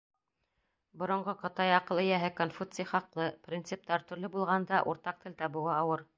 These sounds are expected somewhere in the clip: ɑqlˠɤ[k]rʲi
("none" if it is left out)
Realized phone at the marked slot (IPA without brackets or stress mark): p